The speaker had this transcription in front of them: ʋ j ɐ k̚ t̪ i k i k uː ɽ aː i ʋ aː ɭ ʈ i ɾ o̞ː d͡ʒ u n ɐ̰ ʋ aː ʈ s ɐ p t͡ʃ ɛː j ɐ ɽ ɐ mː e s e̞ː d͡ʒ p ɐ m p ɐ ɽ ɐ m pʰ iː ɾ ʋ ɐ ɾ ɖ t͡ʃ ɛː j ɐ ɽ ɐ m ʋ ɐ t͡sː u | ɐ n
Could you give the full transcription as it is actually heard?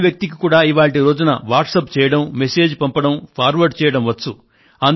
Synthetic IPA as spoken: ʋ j ɐ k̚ t̪ i k i k uː ɽ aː i ʋ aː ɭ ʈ i ɾ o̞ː d͡ʒ u n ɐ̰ ʋ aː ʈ s ɐ p t͡ʃ ɛː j ɐ ɽ ɐ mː e s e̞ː d͡ʒ p ɐ m p ɐ ɽ ɐ m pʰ aː ɾ ʋ ɐ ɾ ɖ t͡ʃ ɛː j ɐ ɽ ɐ m ʋ ɐ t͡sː u | ɐ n